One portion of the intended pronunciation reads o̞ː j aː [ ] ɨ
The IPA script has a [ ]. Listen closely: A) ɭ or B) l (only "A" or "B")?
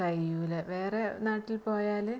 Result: B